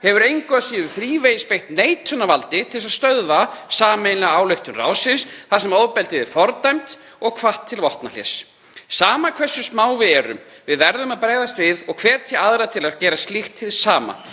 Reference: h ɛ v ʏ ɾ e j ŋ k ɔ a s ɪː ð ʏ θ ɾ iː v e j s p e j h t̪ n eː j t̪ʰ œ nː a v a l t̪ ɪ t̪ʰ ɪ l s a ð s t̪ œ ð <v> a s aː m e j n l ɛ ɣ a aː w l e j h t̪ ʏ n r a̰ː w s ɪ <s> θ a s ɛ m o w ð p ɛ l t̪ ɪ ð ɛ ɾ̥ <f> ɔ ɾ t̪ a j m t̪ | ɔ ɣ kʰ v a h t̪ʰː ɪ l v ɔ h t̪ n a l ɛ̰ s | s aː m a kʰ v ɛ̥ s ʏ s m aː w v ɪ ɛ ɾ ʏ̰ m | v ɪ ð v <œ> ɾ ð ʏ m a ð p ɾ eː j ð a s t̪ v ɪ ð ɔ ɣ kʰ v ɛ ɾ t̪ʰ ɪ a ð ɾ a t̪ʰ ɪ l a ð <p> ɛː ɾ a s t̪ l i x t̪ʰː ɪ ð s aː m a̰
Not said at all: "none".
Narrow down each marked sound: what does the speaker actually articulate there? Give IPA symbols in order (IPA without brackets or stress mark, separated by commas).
v, s, f, ɛ, c